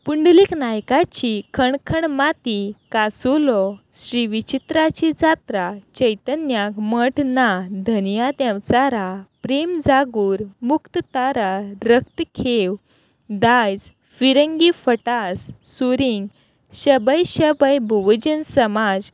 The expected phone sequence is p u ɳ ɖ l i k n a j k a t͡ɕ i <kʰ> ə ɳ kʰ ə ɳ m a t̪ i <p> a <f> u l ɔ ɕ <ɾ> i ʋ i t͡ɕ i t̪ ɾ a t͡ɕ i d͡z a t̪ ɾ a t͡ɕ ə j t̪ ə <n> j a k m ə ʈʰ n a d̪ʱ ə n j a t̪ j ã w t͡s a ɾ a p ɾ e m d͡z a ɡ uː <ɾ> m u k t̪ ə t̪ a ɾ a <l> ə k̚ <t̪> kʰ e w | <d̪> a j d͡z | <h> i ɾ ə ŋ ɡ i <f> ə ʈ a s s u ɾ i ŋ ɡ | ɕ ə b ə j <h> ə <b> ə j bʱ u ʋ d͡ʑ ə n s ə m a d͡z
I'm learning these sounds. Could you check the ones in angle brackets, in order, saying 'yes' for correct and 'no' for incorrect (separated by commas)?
yes, no, no, yes, yes, yes, no, yes, yes, no, yes, no, yes